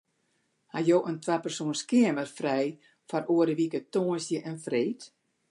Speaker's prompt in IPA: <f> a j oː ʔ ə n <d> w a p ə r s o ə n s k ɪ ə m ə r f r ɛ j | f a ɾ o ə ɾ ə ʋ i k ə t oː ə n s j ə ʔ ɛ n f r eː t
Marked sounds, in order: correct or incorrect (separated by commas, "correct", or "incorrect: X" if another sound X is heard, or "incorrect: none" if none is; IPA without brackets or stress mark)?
incorrect: h, incorrect: t